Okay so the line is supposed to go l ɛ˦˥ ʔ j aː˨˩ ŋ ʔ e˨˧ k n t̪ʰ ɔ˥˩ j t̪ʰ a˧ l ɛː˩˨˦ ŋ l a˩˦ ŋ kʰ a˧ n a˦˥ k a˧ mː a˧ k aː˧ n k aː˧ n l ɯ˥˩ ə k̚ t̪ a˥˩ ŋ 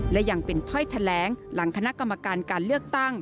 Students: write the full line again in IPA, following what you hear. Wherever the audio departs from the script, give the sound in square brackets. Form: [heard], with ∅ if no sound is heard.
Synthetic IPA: l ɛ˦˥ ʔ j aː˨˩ ŋ [p] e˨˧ [∅] n t̪ʰ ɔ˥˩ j t̪ʰ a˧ l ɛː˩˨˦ ŋ l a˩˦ ŋ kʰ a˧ n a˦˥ k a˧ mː a˧ k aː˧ n k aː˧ n l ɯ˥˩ ə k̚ t̪ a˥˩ ŋ